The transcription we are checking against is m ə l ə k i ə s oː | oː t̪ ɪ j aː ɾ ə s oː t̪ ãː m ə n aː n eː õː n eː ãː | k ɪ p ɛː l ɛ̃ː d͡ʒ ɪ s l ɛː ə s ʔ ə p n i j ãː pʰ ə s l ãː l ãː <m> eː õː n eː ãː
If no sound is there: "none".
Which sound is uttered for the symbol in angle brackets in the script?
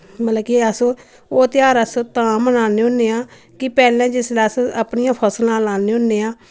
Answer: n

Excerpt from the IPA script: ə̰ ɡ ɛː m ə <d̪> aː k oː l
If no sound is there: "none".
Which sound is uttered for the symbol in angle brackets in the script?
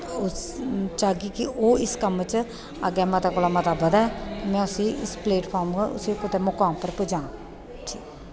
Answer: t̪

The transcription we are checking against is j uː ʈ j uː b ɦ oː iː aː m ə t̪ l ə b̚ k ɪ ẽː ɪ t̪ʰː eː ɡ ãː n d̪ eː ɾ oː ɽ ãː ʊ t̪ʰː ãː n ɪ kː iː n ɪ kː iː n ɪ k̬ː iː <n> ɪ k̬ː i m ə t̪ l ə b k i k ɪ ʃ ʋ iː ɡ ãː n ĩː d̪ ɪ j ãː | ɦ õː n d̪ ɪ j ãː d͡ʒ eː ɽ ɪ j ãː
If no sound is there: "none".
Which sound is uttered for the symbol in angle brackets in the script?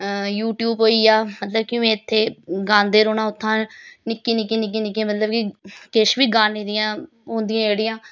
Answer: n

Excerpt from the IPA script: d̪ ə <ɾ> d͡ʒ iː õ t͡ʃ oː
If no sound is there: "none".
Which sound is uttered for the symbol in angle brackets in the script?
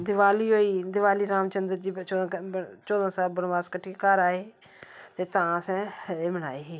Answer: ɾ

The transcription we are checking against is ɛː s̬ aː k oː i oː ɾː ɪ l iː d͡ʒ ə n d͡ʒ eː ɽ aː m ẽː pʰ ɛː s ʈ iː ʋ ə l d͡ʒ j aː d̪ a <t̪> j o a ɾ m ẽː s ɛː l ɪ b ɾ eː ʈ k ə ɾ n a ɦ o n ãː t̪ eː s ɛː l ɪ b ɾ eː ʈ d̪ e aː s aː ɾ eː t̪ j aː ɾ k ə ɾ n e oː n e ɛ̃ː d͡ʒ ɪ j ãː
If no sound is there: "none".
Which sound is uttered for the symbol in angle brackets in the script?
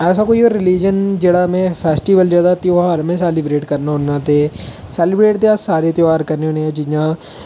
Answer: t̪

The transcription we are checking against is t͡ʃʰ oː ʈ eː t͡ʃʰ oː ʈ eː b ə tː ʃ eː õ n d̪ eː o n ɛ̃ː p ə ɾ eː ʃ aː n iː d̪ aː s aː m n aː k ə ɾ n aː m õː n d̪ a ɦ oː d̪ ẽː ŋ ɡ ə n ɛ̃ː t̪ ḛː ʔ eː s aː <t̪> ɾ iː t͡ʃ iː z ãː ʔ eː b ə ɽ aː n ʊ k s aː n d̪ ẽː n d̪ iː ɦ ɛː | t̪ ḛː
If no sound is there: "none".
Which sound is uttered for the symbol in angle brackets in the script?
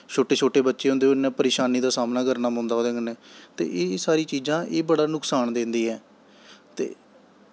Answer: none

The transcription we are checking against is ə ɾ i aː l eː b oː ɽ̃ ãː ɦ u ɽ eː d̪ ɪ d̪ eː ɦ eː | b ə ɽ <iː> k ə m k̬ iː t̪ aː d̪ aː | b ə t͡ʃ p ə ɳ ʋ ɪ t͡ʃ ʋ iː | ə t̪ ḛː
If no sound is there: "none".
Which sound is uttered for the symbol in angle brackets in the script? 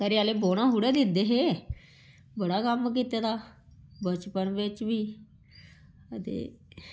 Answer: aː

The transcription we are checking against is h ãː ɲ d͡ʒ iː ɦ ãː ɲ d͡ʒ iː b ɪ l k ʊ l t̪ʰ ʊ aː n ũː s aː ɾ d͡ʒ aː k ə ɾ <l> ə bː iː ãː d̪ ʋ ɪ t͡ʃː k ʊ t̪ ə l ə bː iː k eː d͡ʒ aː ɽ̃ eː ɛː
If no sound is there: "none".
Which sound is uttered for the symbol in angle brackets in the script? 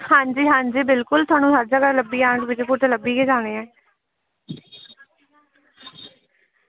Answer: l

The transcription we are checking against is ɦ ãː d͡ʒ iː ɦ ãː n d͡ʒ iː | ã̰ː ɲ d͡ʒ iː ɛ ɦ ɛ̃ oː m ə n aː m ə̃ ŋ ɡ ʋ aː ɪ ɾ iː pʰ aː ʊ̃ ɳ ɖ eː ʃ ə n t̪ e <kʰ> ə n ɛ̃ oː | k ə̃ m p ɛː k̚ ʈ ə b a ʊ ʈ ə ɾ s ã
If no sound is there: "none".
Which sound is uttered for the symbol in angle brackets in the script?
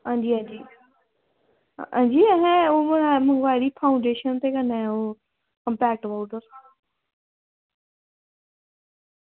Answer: k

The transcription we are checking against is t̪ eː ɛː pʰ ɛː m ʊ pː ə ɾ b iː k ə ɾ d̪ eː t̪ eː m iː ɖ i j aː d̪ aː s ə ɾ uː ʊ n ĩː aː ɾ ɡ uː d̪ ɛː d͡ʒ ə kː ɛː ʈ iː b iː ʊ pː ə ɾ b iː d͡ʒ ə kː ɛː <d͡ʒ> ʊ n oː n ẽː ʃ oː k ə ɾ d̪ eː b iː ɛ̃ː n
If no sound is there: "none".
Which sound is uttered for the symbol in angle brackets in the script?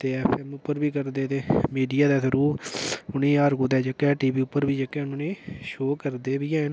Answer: none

